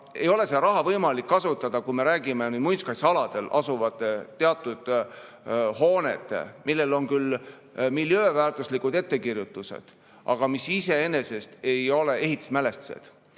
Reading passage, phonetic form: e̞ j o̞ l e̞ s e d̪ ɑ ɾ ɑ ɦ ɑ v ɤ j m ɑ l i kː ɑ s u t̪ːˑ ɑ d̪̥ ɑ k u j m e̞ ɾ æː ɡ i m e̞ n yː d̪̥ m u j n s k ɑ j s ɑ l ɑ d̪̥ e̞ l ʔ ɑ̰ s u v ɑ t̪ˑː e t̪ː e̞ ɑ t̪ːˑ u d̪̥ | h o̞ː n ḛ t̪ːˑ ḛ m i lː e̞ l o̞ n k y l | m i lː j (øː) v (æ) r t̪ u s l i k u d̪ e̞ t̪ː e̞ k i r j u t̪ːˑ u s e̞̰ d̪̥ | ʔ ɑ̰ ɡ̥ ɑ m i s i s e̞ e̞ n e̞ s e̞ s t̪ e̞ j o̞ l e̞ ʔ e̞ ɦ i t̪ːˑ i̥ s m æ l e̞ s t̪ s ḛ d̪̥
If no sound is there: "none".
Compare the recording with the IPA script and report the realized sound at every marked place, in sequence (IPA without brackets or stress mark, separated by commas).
øː, æː